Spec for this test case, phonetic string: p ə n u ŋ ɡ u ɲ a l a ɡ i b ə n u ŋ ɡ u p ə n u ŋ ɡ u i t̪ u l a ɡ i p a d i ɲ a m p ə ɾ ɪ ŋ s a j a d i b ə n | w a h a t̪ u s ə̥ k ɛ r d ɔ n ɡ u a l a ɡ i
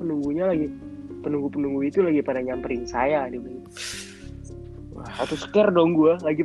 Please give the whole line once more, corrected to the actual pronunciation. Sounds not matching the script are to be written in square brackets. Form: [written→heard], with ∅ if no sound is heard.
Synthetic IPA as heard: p ə n u ŋ ɡ u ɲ a l a ɡ i [b→p] ə n u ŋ ɡ u p ə n u ŋ ɡ u i t̪ u l a ɡ i p a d [i→a] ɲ a m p ə ɾ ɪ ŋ s a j a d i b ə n | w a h a t̪ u s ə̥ k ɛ r d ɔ [n→ŋ] ɡ u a l a ɡ i